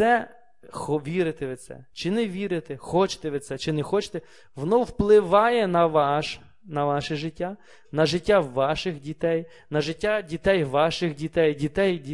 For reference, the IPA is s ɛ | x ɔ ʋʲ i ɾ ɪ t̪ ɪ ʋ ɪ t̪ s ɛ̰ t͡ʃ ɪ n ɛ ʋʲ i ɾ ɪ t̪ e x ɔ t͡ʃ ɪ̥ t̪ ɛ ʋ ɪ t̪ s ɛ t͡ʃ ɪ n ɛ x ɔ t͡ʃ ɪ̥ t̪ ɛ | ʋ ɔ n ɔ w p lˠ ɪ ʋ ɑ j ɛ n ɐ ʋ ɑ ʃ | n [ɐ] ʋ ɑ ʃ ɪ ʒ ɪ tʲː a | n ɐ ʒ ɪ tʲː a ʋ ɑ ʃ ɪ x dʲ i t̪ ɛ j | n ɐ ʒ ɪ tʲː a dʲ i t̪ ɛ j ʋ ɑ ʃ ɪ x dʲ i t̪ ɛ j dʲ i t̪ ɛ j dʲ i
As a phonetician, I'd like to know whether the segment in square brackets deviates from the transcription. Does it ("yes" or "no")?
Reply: no